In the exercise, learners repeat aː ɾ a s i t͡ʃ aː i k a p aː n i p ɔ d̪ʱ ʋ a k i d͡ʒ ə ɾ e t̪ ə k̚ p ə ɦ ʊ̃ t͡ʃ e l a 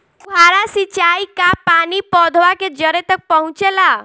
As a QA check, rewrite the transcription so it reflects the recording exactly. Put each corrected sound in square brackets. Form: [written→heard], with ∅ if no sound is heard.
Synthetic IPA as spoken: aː ɾ a s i t͡ʃ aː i k a p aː n i p ɔ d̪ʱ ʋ a k [i→e] d͡ʒ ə ɾ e t̪ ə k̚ p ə ɦ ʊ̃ t͡ʃ e l a